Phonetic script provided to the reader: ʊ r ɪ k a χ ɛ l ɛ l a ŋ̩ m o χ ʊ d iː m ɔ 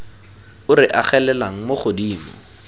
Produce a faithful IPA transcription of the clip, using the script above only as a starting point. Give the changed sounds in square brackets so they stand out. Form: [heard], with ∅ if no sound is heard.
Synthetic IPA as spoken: ʊ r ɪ [ʔ] a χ ɛ l ɛ l a ŋ̩ m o χ ʊ d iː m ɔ